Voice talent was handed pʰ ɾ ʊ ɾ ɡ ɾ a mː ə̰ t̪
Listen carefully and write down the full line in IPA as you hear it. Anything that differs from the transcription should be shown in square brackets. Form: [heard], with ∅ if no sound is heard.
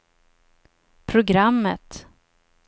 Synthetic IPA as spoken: pʰ ɾ ʊ [∅] ɡ ɾ a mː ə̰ t̪